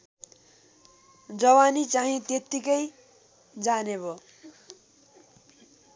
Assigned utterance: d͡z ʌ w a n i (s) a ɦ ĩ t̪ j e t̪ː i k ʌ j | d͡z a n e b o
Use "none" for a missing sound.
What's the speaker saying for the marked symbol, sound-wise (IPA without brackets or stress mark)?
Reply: t͡s